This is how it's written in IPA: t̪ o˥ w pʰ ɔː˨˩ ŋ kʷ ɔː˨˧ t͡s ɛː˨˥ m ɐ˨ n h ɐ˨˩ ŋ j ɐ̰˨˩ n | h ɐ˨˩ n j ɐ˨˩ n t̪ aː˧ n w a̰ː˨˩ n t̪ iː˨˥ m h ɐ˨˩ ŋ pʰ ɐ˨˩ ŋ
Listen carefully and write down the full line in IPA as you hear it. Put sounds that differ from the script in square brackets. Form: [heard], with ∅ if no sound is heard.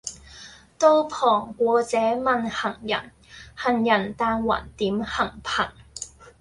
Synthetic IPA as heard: t̪ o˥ w pʰ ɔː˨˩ ŋ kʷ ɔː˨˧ t͡s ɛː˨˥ m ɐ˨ n h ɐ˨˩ ŋ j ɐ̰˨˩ n | h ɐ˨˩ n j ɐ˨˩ n t̪ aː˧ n w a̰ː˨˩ n t̪ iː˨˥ m h ɐ˨˩ ŋ pʰ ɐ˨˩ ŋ